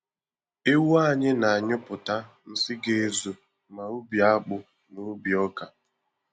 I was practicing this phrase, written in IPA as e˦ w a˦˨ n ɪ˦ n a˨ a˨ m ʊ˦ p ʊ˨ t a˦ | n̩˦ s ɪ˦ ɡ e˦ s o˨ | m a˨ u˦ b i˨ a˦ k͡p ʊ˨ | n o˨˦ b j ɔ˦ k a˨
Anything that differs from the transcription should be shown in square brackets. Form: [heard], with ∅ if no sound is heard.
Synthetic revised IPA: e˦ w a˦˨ [ɲ] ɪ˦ n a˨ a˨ [ɲ] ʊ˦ p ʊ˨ t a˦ | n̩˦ s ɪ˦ ɡ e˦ [z] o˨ | m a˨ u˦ b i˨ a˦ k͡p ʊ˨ | n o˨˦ b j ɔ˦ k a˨